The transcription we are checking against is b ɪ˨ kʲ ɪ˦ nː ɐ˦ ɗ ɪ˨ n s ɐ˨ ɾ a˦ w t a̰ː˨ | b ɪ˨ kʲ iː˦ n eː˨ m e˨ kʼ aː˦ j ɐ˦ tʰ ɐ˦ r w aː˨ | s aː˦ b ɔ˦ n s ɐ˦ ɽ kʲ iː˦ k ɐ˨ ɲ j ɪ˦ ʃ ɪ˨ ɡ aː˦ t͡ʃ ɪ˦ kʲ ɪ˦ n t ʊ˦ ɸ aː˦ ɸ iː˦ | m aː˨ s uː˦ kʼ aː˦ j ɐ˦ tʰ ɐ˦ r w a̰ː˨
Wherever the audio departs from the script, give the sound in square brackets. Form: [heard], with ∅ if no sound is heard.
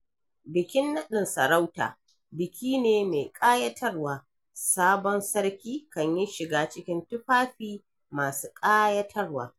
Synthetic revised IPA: b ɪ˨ kʲ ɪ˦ nː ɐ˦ ɗ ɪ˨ n s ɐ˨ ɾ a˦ w t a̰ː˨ | b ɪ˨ kʲ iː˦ n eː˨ m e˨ kʼ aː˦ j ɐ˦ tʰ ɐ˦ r w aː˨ | s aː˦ b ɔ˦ n s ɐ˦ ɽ kʲ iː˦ k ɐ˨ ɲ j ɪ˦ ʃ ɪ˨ ɡ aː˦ t͡ʃ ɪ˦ kʲ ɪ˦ n t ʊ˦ ɸ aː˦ ɸ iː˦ | m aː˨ s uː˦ kʼ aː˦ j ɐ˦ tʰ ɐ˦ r w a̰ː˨